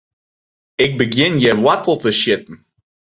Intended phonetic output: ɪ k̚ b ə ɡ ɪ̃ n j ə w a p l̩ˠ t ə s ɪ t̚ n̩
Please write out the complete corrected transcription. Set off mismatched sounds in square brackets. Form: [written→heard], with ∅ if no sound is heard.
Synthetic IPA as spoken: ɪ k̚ b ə ɡ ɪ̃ n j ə w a [p→t] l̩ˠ t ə [s→ʃ] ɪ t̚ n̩